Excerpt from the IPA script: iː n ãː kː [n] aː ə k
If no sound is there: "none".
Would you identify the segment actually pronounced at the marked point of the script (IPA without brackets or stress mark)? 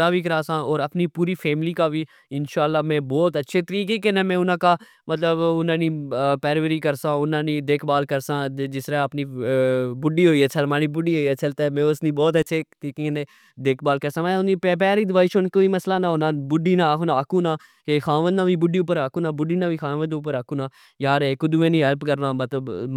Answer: n